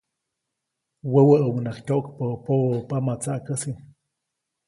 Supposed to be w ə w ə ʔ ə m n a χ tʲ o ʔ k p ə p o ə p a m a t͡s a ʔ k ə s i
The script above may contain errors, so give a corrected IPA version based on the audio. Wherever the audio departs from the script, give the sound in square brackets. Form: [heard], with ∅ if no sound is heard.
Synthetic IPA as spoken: w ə w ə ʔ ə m n a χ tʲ o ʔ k p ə p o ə p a m a t͡s a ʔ k ə s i